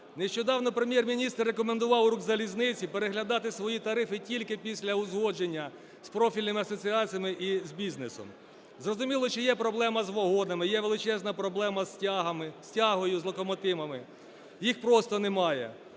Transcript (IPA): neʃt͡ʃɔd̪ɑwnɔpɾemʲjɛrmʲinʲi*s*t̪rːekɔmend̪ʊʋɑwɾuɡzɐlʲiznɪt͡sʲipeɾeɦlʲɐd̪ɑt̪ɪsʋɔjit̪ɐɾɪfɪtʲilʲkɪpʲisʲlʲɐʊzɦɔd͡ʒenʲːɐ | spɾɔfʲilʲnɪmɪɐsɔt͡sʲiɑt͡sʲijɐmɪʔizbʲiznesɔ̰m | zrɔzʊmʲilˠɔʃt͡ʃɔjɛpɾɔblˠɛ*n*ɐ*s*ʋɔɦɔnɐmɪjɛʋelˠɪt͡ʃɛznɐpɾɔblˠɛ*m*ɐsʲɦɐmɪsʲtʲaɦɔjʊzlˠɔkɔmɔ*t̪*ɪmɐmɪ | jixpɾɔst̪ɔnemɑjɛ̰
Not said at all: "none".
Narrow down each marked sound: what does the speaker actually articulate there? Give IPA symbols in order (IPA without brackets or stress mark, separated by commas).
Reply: s, m, z, m, t̪